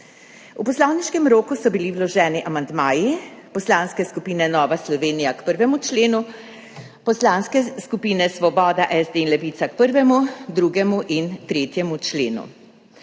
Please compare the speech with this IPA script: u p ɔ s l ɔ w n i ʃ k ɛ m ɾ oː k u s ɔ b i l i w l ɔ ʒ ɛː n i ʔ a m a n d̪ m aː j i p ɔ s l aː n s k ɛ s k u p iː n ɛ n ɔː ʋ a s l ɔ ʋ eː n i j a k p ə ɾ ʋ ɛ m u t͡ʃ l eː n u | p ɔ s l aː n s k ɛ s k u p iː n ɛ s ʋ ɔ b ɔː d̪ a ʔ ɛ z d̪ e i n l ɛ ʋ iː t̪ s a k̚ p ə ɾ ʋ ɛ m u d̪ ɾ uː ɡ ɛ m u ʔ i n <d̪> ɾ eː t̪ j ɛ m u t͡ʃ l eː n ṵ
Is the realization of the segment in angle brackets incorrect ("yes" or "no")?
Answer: yes